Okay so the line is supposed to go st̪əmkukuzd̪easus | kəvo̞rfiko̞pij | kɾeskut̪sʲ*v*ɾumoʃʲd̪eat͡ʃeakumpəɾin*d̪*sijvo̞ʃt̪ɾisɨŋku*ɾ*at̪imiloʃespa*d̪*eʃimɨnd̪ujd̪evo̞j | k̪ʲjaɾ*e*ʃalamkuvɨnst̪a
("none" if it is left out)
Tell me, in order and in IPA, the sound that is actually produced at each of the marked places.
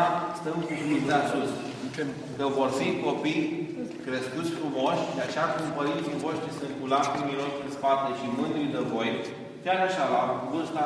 f, t̪, l, t̪, a

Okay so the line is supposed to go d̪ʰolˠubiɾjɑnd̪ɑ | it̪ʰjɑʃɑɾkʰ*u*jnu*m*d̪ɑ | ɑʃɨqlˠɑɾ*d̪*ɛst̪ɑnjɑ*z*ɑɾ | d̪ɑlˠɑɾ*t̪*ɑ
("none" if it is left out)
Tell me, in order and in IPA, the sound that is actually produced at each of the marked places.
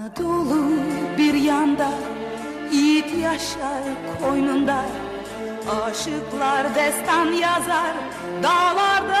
o, n, d̪, z, d̪

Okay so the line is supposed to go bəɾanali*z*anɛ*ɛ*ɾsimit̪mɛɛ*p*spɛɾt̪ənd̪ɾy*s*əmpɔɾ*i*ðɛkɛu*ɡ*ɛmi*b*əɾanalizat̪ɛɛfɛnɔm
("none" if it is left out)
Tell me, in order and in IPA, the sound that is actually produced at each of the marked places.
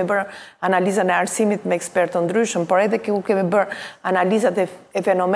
z, a, k, ʃ, ɛ, k, b

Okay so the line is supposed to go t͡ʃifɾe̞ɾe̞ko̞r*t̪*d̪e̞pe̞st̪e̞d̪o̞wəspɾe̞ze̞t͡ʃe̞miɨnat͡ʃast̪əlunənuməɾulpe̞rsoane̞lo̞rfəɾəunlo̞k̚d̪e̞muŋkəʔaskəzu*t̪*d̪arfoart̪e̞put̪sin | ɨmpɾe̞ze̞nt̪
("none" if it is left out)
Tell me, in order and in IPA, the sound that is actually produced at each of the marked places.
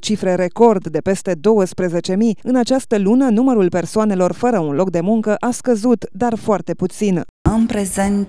d̪, t̪

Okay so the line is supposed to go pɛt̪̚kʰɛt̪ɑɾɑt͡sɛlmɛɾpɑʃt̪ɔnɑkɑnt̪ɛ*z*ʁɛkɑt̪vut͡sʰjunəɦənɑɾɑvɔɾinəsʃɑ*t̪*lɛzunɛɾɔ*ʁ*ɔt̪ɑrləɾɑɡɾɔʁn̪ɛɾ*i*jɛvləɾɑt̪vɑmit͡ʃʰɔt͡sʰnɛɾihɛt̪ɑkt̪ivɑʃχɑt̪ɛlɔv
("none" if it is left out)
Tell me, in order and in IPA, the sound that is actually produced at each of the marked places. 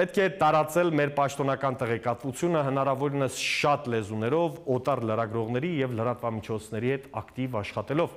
none, t̪, v, i

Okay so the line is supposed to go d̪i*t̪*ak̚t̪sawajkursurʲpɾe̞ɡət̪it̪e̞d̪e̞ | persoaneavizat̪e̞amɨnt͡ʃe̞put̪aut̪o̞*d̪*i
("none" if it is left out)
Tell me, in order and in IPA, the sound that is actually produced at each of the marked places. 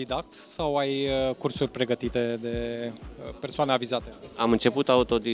d̪, d̪

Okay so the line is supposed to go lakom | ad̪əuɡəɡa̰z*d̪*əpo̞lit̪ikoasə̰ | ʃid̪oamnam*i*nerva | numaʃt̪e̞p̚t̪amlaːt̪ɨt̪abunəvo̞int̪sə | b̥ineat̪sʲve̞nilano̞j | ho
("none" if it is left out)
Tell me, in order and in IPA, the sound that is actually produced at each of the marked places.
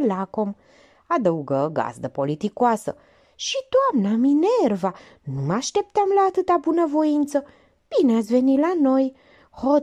d̪, i

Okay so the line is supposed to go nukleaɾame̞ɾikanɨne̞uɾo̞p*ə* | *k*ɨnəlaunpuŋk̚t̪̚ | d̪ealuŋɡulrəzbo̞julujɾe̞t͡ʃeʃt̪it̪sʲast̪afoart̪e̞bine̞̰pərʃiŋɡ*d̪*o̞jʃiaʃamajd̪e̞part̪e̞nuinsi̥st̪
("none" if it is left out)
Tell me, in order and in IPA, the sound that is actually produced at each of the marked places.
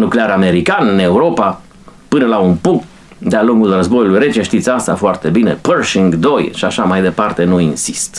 a, p, d̪

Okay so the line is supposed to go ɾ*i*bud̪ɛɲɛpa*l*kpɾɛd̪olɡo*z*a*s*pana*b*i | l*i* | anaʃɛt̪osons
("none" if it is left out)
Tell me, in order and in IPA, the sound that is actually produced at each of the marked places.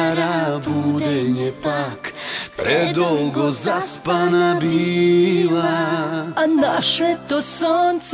a, none, z, s, b, a

